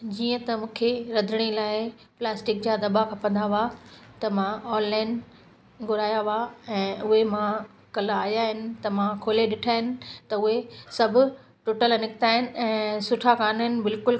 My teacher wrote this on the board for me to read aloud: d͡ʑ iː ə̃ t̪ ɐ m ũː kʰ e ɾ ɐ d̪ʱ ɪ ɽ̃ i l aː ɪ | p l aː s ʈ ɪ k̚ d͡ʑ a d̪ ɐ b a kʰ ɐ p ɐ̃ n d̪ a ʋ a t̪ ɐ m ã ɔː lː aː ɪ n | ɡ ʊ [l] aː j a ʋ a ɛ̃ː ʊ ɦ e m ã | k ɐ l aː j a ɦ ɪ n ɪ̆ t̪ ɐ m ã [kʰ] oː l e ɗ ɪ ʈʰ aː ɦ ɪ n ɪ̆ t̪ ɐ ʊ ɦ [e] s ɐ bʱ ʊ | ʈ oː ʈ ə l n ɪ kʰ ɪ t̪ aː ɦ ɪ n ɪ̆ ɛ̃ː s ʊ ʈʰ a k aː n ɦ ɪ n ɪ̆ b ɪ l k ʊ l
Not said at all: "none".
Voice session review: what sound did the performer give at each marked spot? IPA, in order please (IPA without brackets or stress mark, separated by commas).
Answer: ɾ, kʰ, e